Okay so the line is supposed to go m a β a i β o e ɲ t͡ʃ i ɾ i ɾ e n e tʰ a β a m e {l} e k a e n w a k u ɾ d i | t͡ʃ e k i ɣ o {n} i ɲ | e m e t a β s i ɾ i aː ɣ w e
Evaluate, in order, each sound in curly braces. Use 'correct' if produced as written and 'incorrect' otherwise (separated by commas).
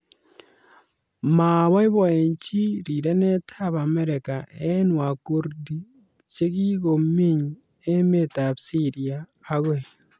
incorrect, incorrect